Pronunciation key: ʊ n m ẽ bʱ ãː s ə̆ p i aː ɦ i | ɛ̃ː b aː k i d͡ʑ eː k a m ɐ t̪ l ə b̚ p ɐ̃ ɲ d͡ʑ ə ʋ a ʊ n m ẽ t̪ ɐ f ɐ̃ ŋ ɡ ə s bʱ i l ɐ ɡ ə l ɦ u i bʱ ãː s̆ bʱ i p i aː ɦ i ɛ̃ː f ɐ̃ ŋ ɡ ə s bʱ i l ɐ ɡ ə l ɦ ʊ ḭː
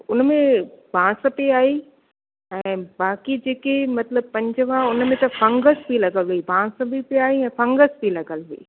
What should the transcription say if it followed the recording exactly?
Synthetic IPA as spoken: ʊ n m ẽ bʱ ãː s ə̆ p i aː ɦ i | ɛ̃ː b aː k i d͡ʑ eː k e m ɐ t̪ l ə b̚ p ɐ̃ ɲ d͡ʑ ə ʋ a ʊ n m ẽ t̪ ɐ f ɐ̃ ŋ ɡ ə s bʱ i l ɐ ɡ ə l ɦ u i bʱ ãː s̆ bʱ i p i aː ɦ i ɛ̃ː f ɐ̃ ŋ ɡ ə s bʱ i l ɐ ɡ ə l ɦ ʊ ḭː